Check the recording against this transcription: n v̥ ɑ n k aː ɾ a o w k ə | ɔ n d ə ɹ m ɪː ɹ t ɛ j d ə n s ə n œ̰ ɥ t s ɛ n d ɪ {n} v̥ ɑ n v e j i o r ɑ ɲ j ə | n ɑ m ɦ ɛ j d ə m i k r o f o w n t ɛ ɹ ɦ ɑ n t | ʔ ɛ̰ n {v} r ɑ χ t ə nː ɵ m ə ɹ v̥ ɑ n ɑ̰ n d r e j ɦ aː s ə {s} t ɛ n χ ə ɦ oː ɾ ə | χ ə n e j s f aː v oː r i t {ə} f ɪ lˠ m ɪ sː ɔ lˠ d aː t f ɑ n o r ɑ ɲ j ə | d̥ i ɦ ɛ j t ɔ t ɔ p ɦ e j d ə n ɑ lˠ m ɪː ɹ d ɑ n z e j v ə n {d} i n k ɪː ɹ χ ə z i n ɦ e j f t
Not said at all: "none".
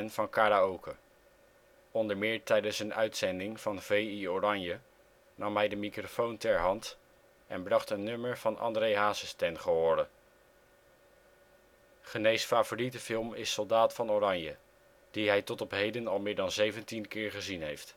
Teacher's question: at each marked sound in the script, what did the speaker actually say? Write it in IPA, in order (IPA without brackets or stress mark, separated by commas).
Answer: ŋ, b, s, ə, t